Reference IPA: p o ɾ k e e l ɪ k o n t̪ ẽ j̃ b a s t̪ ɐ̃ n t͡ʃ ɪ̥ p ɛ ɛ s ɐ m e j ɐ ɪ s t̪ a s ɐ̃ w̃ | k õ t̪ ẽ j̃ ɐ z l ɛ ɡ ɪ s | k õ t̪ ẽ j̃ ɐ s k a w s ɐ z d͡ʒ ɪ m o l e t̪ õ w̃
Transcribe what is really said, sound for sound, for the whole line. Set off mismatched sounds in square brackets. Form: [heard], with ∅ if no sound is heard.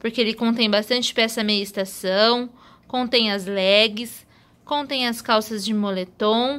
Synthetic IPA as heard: p o ɾ k e e l ɪ k [õ] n t̪ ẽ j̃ b a s t̪ ɐ̃ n t͡ʃ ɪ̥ p ɛ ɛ s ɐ m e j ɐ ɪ s t̪ a s ɐ̃ w̃ | k õ t̪ ẽ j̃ ɐ z l ɛ ɡ ɪ s | k õ t̪ ẽ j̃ ɐ s k a w s ɐ z d͡ʒ ɪ m o l e t̪ õ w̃